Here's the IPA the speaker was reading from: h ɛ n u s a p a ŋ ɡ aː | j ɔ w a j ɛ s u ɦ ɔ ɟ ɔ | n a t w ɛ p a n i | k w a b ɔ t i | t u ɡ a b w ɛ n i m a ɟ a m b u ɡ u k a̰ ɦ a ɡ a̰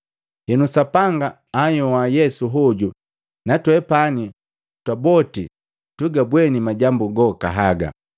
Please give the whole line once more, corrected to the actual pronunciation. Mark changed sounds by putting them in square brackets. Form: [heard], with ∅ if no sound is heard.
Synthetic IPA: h ɛ n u s a p a ŋ ɡ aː | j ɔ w a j ɛ s u ɦ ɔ ɟ [u] | n a t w ɛ p a n i | [t] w a b ɔ t i | t u ɡ a b w ɛ n i m a ɟ a m b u ɡ [ɔ] k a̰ ɦ a ɡ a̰